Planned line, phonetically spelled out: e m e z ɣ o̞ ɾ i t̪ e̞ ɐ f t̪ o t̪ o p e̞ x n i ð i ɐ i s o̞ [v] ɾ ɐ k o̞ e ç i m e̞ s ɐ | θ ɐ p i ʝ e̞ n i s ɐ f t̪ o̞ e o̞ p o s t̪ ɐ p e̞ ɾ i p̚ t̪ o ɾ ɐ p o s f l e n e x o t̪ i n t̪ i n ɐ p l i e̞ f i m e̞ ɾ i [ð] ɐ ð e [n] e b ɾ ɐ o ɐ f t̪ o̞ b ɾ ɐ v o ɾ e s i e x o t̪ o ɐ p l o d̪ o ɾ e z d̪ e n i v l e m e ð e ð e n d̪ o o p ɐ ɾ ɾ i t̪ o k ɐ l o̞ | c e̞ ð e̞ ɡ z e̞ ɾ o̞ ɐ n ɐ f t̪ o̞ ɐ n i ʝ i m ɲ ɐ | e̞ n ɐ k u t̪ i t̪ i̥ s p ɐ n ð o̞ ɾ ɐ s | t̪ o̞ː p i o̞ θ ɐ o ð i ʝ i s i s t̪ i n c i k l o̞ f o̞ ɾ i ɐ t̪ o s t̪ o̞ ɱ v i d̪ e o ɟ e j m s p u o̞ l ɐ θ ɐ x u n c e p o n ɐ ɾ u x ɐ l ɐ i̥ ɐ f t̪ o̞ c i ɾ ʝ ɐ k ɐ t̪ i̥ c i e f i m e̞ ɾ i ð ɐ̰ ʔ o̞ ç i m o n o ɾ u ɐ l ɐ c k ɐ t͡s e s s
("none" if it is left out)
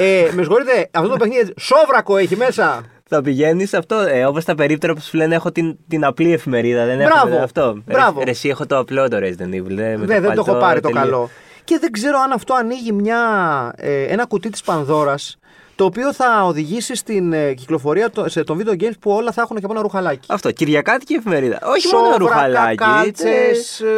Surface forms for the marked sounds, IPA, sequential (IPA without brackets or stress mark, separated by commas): v, ð, n